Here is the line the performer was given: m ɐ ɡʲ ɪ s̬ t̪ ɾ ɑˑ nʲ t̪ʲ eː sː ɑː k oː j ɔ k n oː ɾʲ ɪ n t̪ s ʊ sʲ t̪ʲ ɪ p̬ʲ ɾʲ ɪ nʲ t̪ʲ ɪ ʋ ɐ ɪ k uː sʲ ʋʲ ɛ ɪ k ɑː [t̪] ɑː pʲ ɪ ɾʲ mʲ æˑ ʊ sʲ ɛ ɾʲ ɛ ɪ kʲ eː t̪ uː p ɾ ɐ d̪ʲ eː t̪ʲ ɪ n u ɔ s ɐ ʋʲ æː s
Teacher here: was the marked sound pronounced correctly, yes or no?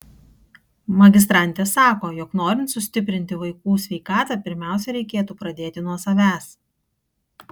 yes